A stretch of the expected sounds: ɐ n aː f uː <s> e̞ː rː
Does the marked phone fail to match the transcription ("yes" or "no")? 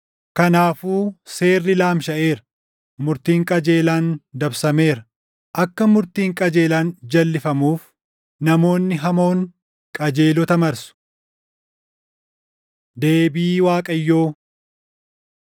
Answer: no